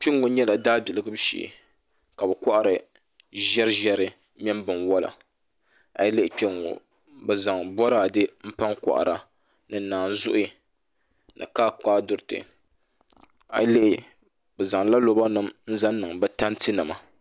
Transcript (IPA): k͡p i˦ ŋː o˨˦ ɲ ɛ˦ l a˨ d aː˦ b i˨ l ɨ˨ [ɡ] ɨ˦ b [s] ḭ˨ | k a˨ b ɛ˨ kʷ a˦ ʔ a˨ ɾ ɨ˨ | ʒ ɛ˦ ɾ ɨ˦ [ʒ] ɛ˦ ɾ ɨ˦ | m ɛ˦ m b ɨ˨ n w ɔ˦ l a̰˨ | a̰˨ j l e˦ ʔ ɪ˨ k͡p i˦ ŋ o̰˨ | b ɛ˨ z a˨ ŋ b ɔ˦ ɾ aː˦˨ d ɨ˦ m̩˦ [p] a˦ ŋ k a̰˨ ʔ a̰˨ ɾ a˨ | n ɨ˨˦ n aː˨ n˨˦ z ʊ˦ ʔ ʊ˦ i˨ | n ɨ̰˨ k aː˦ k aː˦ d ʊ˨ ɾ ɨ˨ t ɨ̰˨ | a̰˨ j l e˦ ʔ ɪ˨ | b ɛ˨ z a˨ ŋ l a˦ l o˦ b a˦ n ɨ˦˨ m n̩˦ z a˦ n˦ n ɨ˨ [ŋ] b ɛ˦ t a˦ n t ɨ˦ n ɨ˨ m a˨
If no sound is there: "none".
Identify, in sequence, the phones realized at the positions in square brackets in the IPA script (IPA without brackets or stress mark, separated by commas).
ɡ, ʃ, ʒ, p, ŋ